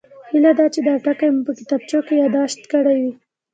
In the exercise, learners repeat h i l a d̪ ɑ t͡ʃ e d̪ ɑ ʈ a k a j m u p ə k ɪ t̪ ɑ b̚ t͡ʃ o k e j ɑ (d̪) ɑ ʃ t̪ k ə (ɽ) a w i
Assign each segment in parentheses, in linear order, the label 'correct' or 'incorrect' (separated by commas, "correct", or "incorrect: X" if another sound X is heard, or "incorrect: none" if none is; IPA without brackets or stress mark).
correct, correct